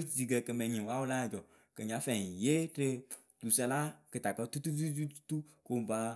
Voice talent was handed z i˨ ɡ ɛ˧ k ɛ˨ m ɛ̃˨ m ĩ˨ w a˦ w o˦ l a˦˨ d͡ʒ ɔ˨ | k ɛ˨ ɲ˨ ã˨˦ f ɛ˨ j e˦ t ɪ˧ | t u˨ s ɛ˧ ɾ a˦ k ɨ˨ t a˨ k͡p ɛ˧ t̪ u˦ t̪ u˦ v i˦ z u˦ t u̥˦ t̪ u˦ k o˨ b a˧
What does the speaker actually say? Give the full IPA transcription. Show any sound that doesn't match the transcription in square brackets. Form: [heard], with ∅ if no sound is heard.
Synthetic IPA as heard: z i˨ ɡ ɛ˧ k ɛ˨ m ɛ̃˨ [ɲ] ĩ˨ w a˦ w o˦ l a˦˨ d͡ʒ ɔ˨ | k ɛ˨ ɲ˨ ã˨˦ f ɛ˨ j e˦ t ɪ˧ | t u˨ s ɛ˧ [l] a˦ k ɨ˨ t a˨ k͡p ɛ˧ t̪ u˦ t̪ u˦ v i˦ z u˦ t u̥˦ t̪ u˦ k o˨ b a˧